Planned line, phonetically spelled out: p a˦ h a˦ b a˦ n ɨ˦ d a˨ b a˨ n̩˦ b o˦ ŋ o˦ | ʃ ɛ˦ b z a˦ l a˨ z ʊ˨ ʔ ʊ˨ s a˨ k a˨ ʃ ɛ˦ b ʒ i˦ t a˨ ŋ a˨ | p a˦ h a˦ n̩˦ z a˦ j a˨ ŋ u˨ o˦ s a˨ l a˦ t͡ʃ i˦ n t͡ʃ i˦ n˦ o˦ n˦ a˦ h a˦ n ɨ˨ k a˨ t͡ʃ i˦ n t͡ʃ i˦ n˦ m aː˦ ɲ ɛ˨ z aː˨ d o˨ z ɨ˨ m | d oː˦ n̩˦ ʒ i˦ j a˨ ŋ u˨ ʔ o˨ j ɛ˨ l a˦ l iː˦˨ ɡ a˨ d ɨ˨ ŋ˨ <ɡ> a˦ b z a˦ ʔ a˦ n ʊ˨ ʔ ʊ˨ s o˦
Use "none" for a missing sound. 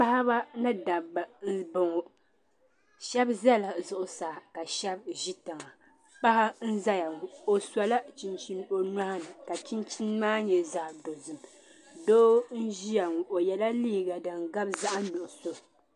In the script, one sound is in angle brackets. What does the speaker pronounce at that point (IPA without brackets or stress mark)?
ɡ